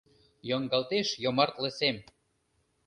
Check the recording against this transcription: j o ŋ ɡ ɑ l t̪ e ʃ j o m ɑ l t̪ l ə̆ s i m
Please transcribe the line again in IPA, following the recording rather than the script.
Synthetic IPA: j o ŋ ɡ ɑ l t̪ e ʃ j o m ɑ r t̪ l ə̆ s e m